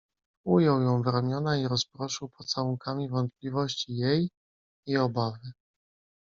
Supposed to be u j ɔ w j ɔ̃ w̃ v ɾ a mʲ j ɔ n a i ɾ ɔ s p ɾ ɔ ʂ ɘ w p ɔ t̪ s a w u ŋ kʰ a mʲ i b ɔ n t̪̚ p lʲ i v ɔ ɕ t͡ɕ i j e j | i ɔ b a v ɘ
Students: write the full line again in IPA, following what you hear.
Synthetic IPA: u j ɔ w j ɔ̃ w̃ v ɾ a mʲ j ɔ n a i ɾ ɔ s p ɾ ɔ ʂ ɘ w p ɔ t̪ s a w u ŋ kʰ a mʲ i v ɔ n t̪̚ p lʲ i v ɔ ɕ t͡ɕ i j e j | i ɔ b a v ɘ